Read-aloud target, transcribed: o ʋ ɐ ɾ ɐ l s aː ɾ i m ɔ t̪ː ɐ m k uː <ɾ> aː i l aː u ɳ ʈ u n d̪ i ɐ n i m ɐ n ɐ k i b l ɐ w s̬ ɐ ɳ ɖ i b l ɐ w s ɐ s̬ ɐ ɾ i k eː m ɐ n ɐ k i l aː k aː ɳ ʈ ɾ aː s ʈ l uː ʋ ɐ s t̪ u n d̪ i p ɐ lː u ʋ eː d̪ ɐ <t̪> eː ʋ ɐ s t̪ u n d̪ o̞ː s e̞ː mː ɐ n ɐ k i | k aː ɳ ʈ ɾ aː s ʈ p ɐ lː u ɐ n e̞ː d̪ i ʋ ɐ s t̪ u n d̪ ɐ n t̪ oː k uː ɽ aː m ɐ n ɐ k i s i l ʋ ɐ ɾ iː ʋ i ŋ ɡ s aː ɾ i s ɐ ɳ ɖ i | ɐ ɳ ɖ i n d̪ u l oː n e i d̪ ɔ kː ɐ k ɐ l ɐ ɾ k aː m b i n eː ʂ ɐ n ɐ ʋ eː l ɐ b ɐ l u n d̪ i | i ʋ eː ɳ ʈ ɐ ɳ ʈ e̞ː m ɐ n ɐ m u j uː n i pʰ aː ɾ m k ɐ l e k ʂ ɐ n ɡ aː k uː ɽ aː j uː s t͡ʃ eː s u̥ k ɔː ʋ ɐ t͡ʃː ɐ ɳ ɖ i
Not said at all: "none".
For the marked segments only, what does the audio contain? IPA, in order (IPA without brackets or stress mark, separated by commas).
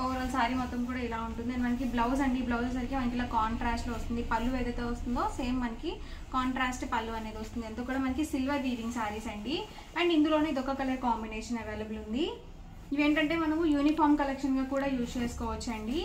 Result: ɽ, t̪